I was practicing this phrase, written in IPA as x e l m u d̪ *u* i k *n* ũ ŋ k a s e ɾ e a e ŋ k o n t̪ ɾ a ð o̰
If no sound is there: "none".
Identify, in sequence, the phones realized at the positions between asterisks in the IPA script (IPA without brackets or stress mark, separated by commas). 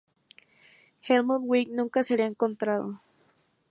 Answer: w, n